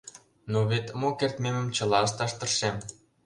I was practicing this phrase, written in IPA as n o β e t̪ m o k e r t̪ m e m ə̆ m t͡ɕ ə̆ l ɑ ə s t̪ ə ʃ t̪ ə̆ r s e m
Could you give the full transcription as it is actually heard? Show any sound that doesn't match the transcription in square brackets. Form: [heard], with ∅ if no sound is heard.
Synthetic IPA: n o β e t̪ m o k e r t̪ m e m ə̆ m t͡ɕ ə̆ l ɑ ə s t̪ [ɑ] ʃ t̪ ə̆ r [ʃ] e m